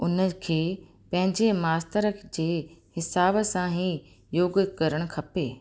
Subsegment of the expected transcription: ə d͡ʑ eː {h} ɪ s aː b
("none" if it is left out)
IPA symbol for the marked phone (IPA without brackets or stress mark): h